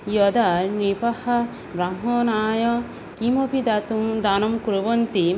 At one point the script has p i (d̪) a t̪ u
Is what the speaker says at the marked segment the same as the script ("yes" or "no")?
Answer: yes